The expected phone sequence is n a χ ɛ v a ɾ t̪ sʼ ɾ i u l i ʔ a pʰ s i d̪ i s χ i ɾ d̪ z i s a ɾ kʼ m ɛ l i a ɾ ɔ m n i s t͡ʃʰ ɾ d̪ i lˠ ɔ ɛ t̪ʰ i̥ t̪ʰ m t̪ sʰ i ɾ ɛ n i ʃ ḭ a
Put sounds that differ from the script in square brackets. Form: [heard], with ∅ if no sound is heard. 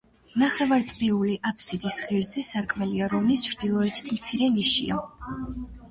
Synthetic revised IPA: n a χ ɛ v a ɾ t̪ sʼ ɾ i u l i ʔ a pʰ s i d̪ i s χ i ɾ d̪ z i s a ɾ kʼ m ɛ l i a ɾ ɔ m n i s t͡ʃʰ ɾ d̪ i lˠ ɔ ɛ t̪ʰ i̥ t̪ʰ m t̪ sʰ i ɾ ɛ n i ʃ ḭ a